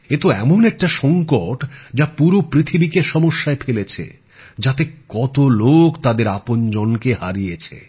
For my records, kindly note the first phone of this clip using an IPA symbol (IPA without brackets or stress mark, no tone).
e